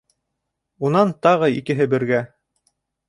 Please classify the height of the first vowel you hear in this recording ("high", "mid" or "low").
high